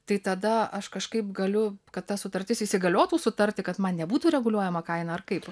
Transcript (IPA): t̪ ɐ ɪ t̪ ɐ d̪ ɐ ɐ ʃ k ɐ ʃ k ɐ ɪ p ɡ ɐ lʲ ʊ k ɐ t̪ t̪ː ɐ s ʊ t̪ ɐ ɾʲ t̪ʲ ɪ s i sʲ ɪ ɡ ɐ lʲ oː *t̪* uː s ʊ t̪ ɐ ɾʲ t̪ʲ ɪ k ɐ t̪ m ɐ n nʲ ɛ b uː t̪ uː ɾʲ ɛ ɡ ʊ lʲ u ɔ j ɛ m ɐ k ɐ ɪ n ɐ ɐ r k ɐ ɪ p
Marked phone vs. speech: correct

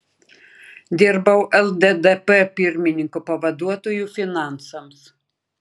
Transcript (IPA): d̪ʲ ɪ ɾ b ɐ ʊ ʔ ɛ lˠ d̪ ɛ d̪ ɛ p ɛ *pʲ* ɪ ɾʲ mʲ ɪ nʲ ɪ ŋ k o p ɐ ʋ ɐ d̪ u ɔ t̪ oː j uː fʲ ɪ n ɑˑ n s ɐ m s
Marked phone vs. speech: correct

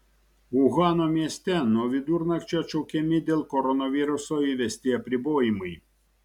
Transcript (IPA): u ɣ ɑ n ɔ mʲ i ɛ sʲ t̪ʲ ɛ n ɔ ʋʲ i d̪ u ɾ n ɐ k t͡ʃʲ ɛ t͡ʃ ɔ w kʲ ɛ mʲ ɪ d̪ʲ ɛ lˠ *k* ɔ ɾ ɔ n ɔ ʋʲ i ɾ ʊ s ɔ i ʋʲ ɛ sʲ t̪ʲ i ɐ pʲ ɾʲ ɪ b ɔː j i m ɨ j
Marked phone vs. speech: correct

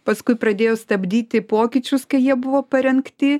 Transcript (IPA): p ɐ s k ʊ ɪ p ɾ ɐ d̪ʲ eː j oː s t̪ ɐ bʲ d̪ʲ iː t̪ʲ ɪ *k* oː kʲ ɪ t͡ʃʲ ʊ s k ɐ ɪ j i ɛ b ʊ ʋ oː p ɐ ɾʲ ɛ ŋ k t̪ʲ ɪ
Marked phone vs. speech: incorrect: p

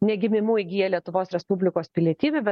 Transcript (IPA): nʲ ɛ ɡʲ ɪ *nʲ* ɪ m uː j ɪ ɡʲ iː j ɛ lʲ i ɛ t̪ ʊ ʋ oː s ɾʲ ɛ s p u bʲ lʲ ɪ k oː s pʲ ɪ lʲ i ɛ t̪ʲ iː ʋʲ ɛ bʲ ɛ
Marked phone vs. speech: incorrect: mʲ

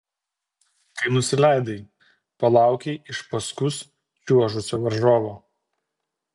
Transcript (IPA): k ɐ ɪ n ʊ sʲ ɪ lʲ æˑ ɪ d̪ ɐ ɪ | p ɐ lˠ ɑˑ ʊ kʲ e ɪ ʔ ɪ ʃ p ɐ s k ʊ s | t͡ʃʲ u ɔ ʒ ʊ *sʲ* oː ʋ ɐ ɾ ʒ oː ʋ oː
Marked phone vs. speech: correct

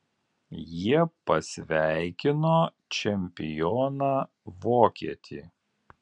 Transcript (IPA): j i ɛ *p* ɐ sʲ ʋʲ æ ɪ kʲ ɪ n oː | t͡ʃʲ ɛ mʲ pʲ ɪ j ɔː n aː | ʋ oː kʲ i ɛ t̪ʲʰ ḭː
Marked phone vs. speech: correct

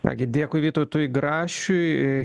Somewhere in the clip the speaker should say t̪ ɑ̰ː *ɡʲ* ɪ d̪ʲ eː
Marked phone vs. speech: correct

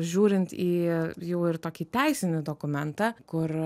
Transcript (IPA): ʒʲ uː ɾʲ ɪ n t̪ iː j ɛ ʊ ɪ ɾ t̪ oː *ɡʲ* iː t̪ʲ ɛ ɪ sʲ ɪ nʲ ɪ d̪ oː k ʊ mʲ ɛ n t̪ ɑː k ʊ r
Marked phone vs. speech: incorrect: kʲ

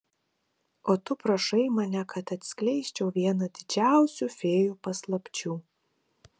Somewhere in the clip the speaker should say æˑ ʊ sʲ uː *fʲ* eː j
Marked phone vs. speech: correct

